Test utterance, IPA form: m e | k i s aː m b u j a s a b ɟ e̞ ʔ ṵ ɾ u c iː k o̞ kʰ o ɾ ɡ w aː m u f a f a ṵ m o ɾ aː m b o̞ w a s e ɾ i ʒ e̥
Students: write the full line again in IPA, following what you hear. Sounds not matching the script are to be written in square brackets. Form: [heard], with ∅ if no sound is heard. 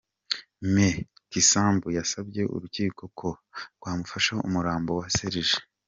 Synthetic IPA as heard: m e | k i s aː m b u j a s a b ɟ e̞ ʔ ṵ ɾ u c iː k o̞ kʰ o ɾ ɡ w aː m u f a [ʃ] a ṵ m [u] ɾ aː m b o̞ w a s e ɾ i ʒ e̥